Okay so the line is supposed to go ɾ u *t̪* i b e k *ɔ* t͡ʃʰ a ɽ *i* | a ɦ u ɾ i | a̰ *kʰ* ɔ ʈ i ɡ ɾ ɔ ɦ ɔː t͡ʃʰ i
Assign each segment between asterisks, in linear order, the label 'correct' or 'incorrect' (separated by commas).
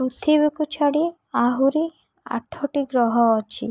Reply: incorrect, incorrect, correct, incorrect